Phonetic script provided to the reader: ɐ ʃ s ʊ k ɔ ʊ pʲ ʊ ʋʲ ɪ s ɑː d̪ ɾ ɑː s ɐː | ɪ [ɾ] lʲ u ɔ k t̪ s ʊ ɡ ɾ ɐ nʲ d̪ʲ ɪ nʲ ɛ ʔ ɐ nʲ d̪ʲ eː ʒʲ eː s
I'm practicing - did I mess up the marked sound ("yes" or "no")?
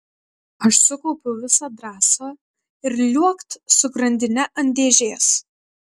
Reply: no